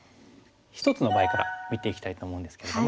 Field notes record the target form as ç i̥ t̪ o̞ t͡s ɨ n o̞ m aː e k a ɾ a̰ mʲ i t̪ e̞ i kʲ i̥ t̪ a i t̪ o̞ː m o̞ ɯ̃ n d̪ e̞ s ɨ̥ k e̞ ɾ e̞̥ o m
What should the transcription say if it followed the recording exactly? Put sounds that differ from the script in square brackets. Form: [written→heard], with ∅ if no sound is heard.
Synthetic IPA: ç i̥ t̪ o̞ t͡s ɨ n o̞ [m→b] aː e k a ɾ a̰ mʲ i t̪ e̞ i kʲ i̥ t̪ a i t̪ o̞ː m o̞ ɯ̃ n d̪ e̞ s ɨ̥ k e̞ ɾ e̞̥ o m